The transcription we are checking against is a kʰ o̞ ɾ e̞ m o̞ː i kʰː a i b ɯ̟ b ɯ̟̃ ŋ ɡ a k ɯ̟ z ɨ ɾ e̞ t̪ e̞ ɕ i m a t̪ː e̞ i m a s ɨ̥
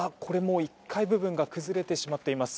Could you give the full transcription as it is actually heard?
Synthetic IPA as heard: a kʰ o̞ ɾ e̞ m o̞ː i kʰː a i b ɯ̟ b ɯ̟̃ ŋ ɡ a k ɯ̟ z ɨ ɾ e̞ t̪ e̞ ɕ i m a t̪ː e̞ i m a s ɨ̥